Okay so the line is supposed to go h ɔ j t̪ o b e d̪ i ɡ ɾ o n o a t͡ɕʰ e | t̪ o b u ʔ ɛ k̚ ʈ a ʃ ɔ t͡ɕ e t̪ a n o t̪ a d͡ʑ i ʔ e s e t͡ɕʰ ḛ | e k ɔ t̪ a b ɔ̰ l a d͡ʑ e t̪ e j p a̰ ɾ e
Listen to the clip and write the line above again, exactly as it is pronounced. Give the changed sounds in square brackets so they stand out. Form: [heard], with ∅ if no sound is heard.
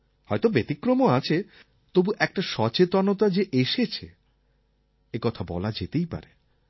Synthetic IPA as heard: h ɔ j t̪ o b e [t̪] i [k] ɾ o [m] o a t͡ɕʰ e | t̪ o b u ʔ ɛ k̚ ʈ a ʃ ɔ t͡ɕ e t̪ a n o t̪ a d͡ʑ [e] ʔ e [ʃ] e t͡ɕʰ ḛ | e k ɔ [t̪ʰ] a b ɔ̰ l a d͡ʑ e t̪ e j p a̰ ɾ e

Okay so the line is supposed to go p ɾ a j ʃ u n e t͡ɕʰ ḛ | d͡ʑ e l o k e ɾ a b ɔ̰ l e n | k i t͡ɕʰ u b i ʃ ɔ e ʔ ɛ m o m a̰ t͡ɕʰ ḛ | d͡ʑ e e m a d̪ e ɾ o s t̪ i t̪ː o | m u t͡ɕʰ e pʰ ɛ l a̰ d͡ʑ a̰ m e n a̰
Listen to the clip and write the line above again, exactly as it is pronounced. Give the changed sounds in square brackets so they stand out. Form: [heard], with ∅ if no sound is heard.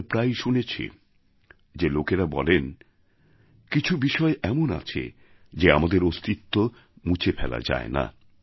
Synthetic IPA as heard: p ɾ a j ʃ u n e t͡ɕʰ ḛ | d͡ʑ e l o k e ɾ a b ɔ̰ l e n | k i t͡ɕʰ u b i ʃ ɔ e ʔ ɛ m o [n] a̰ t͡ɕʰ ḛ | d͡ʑ e [a] m a d̪ e ɾ o s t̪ i t̪ː o | m u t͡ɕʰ e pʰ ɛ l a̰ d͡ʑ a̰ [∅] e n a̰

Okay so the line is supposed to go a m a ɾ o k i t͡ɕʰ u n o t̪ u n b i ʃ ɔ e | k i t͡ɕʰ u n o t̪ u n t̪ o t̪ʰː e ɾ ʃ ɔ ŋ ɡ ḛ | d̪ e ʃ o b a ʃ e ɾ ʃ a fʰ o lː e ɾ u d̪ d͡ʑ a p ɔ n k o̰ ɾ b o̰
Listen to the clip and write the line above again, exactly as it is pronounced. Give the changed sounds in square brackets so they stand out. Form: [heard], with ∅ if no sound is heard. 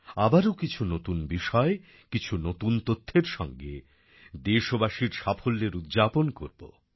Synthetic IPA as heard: a [b] a ɾ o k i t͡ɕʰ u n o t̪ u n b i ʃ ɔ e | k i t͡ɕʰ u n o t̪ u n t̪ o t̪ʰː e ɾ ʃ ɔ ŋ ɡ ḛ | d̪ e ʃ o b a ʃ [i] ɾ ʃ a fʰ o lː e ɾ u d̪ d͡ʑ a p [o] n k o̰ ɾ b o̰

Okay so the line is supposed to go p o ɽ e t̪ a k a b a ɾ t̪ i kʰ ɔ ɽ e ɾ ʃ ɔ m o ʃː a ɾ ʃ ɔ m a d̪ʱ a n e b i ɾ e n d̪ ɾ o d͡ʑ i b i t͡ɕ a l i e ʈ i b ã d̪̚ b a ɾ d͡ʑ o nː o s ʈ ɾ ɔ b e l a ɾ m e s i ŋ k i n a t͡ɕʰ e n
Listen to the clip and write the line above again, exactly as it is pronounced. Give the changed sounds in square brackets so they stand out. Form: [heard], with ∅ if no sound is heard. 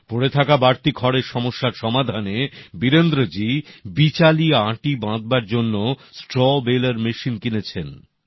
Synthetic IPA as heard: p o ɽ e [t̪ʰ] a k a b a ɾ t̪ i kʰ ɔ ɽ e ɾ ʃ ɔ m o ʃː a ɾ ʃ ɔ m a d̪ʱ a n e b i ɾ e n d̪ ɾ o d͡ʑ i b i t͡ɕ a l i [a] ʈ i b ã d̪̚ b a ɾ d͡ʑ o nː o s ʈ ɾ ɔ b e l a ɾ m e [ʃ] i [n] k i n [e] t͡ɕʰ e n

